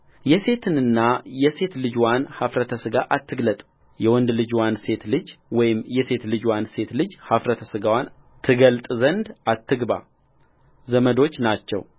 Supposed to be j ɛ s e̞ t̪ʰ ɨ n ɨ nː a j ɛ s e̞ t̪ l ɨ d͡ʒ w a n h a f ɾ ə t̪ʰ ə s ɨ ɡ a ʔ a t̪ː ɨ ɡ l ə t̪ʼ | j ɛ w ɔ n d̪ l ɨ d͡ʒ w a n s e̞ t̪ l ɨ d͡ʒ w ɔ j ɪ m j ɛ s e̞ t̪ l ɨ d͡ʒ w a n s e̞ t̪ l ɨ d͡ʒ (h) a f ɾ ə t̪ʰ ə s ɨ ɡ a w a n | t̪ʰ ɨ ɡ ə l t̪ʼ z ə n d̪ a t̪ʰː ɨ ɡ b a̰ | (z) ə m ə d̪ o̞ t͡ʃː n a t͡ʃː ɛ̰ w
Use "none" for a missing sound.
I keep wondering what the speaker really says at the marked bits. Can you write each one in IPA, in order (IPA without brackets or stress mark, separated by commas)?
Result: h, z